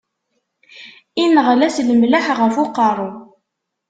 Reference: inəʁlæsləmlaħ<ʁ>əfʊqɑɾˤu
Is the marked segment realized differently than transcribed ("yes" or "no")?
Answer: no